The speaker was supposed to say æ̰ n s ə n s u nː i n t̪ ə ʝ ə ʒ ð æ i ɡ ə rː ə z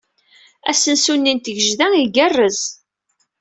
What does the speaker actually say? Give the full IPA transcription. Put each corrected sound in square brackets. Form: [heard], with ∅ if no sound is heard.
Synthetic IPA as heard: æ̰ [∅] s ə n s u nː i n t̪ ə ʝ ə ʒ ð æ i ɡ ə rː ə z